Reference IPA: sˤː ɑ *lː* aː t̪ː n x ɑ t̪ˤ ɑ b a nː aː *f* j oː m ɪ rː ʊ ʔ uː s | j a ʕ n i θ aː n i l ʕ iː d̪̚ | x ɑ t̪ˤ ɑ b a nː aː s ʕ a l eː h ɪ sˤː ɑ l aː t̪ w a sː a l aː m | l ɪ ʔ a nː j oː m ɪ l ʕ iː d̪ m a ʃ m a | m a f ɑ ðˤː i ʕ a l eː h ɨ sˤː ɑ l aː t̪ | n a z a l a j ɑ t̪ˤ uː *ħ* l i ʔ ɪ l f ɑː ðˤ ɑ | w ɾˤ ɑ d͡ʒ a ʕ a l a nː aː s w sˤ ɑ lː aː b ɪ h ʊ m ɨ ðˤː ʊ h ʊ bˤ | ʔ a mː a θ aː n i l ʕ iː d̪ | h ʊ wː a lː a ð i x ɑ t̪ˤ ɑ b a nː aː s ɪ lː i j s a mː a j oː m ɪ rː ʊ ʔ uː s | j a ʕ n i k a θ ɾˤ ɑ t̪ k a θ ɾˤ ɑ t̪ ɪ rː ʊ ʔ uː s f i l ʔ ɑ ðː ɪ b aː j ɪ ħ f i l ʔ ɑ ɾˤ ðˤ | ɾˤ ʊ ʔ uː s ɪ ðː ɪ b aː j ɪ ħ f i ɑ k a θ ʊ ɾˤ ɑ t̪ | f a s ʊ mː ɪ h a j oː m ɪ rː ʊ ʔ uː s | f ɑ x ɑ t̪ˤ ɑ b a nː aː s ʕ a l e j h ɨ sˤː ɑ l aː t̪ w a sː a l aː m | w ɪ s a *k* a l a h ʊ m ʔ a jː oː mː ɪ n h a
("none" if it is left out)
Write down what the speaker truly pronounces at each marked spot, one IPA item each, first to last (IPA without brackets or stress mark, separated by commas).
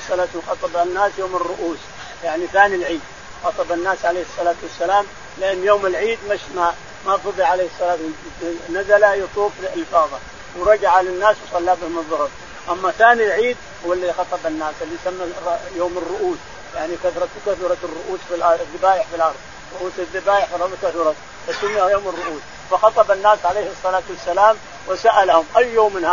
l, s, f, ʔ